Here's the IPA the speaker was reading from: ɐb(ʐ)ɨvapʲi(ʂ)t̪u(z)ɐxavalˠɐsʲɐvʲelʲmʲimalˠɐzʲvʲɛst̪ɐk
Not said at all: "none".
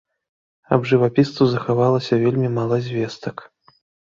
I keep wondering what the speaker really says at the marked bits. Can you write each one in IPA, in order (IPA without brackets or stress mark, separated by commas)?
ʐ, s, z